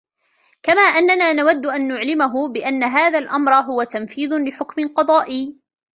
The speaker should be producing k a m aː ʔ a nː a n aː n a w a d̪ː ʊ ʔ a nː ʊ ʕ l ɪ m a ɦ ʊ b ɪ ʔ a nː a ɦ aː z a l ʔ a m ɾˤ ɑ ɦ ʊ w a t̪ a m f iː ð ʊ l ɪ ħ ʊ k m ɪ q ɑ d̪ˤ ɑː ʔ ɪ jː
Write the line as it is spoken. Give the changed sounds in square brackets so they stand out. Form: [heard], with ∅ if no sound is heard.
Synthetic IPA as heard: k a m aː ʔ a nː a n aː n a w a d̪ː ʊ ʔ a nː ʊ ʕ l ɪ m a ɦ ʊ b ɪ ʔ a nː a ɦ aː [ð] a l ʔ a m ɾˤ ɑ ɦ ʊ w a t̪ a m f iː ð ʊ l ɪ ħ ʊ k m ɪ q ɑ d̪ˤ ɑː ʔ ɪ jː